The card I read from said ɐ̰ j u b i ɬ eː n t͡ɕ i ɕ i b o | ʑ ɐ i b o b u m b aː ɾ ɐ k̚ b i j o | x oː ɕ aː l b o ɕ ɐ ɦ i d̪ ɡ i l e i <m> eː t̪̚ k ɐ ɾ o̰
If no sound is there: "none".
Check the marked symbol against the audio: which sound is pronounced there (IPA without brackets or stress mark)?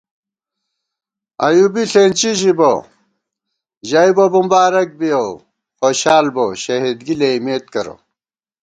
m